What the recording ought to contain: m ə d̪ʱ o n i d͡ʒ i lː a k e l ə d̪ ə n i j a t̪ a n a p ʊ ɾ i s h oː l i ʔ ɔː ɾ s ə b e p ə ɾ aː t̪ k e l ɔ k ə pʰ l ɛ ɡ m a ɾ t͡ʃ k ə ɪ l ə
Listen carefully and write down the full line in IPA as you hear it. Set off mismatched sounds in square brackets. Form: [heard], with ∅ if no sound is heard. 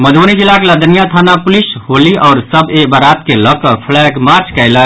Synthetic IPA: m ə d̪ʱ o n i d͡ʒ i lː a k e l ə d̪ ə n i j a [t̪ʰ] a n a p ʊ [l] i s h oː l i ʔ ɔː ɾ s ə b e [b] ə ɾ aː t̪ k e l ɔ k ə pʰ l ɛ ɡ m a ɾ t͡ʃ k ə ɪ l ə